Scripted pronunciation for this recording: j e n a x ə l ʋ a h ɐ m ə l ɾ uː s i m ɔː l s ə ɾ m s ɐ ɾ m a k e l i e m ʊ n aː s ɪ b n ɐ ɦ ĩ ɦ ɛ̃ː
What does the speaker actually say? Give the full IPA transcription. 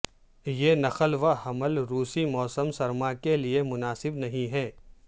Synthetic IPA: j e n ɐ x ə l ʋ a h ɐ m ə l ɾ uː s i m ɔː s ə m s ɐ ɾ m a k e l i e m ʊ n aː s ɪ b n ɐ ɦ ĩ ɦ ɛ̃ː